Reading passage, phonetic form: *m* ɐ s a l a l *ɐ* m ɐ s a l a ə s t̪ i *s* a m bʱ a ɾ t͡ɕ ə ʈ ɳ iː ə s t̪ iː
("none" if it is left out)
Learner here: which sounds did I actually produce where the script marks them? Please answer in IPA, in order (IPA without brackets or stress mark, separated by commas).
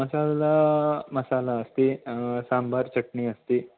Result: m, a, s